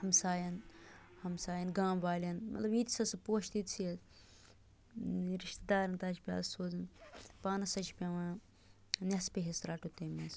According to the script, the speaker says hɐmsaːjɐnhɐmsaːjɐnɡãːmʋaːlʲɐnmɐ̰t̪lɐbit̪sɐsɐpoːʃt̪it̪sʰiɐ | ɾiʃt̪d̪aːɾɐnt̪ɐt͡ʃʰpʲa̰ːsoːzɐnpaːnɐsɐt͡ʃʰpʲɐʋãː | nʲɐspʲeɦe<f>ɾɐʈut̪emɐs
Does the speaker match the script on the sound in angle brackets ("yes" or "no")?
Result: no